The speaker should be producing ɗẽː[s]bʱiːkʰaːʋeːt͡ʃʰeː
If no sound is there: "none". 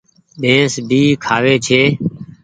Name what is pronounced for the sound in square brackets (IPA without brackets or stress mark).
s